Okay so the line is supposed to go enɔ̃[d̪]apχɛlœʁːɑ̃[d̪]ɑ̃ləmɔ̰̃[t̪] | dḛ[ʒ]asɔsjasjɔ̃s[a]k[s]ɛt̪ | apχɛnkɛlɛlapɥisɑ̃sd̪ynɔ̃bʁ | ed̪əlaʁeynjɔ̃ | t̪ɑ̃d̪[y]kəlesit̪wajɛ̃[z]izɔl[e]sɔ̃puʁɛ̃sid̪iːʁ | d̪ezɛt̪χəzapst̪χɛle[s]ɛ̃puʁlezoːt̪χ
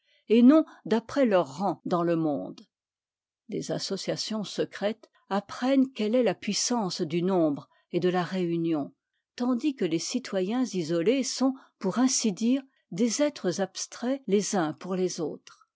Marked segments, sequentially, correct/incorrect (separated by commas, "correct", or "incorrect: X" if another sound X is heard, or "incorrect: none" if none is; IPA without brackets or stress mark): correct, correct, incorrect: d̪, incorrect: z, incorrect: ə, incorrect: χ, incorrect: i, correct, correct, incorrect: z